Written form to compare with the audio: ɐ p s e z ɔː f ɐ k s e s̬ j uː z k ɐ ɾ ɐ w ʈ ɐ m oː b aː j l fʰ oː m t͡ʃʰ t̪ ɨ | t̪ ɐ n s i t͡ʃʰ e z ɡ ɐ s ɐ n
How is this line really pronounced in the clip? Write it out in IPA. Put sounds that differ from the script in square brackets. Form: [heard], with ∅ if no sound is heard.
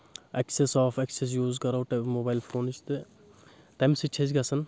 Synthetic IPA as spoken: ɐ [k] s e [s] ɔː f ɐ k s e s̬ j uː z k ɐ ɾ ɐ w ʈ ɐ m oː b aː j l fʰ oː [n] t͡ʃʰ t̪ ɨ | t̪ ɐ [m] s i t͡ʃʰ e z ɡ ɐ s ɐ n